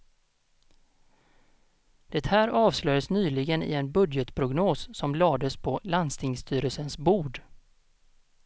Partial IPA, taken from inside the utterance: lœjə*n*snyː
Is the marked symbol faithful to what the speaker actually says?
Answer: no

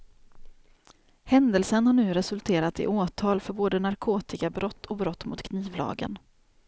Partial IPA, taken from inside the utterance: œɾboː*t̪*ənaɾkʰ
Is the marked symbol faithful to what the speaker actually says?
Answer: no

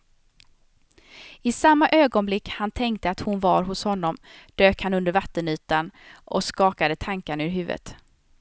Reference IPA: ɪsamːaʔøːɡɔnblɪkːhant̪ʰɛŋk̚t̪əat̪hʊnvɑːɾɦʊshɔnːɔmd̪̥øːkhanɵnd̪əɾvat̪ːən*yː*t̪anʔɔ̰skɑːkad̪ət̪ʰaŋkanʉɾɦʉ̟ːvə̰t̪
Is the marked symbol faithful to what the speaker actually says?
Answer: yes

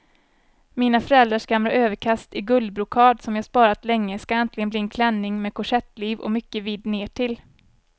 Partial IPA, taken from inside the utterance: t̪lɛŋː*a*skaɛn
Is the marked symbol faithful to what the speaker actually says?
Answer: no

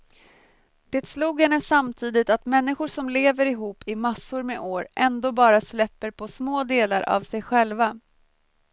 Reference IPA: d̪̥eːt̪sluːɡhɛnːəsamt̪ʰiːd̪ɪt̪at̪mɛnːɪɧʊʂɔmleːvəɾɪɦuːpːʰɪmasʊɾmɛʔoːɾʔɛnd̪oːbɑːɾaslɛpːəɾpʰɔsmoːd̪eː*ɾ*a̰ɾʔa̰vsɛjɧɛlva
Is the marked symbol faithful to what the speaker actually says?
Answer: no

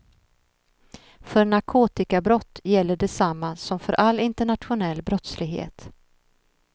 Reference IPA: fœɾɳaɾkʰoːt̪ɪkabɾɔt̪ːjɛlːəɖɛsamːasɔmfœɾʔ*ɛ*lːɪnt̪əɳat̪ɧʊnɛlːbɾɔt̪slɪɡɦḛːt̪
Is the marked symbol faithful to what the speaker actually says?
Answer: no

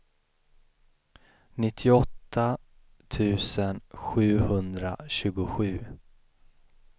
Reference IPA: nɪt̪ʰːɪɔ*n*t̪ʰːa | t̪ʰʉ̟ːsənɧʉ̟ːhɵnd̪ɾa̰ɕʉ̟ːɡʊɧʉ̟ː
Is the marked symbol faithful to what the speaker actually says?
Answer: no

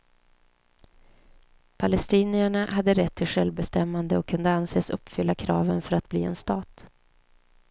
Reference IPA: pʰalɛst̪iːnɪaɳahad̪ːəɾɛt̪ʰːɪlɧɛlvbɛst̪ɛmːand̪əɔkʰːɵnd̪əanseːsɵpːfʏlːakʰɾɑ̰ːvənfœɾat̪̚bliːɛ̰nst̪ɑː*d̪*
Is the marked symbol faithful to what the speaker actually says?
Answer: no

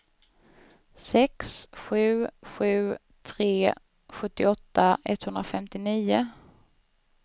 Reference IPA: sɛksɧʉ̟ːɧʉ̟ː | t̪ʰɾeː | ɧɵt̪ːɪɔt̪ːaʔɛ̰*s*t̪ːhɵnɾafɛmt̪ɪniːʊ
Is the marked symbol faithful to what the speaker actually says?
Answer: no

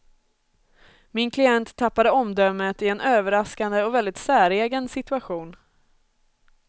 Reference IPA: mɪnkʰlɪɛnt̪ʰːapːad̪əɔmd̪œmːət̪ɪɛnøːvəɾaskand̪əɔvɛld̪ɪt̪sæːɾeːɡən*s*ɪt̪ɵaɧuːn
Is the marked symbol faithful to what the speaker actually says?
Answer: yes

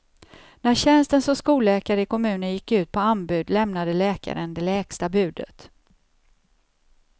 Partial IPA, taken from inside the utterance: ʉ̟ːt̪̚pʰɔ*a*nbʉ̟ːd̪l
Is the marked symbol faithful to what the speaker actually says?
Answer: yes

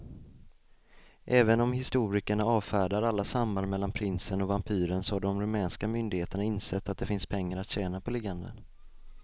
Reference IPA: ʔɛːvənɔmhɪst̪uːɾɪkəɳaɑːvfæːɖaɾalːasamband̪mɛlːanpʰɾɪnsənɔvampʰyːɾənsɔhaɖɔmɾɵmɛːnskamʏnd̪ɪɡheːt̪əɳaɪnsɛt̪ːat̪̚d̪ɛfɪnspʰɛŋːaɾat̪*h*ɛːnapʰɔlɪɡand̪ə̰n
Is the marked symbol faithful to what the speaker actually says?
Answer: no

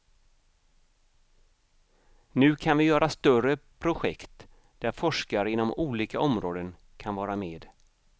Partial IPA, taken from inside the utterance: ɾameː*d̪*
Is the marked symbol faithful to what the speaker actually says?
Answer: yes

